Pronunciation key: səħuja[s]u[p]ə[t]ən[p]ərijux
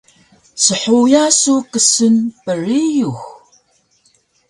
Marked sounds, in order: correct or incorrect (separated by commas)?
correct, incorrect, incorrect, correct